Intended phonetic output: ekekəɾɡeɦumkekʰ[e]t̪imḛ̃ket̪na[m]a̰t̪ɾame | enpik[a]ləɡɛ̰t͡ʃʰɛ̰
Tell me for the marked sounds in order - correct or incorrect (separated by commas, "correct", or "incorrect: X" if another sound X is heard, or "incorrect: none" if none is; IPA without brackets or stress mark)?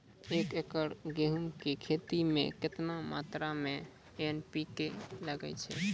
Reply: correct, correct, incorrect: e